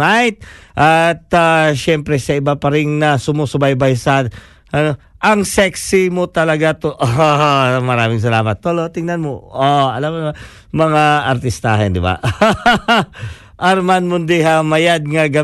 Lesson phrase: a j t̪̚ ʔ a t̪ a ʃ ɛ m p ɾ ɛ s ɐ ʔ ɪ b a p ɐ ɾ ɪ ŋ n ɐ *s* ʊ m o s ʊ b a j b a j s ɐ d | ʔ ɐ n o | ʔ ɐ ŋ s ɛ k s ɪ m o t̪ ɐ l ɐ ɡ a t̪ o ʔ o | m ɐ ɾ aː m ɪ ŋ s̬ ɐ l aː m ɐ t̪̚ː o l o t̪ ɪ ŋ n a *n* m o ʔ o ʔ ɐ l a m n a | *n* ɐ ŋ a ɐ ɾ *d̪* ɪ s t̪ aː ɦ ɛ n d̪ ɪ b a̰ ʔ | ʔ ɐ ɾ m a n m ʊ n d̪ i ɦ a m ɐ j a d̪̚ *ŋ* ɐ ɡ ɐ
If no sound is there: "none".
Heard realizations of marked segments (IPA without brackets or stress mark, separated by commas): s, n, m, t̪, ŋ